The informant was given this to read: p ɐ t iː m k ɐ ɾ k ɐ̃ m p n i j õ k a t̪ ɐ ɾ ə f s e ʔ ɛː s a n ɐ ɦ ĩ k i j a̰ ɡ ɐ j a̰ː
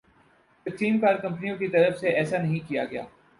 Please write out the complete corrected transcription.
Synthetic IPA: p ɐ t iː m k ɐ ɾ k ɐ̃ m p n i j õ k i t̪ ɐ ɾ ə f s e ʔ ɛː s a n ɐ ɦ ĩ k i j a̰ ɡ ɐ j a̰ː